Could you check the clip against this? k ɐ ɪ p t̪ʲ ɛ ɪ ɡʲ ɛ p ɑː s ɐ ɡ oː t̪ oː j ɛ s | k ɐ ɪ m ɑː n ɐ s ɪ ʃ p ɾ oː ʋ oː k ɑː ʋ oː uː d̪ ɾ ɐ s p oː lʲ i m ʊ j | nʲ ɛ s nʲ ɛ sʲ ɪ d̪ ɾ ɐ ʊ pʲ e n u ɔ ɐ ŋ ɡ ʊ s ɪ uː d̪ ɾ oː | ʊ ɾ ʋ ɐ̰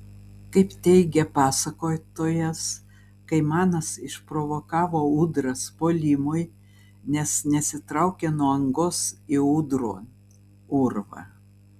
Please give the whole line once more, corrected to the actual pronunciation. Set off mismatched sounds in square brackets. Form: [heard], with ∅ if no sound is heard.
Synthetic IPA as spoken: k ɐ ɪ p t̪ʲ ɛ ɪ ɡʲ ɛ p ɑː s ɐ [k] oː t̪ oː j ɛ s | k ɐ ɪ m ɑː n ɐ s ɪ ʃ p ɾ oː ʋ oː k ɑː ʋ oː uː d̪ ɾ ɐ s p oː lʲ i m ʊ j | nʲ ɛ s nʲ ɛ sʲ ɪ [t̪] ɾ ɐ ʊ [kʲ] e n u ɔ ɐ ŋ ɡ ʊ s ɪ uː d̪ ɾ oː | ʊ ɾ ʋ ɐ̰